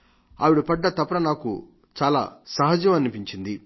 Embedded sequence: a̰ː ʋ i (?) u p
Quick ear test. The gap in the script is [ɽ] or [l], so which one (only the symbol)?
ɽ